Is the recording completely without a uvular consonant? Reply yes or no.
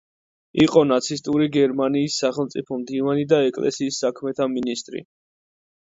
no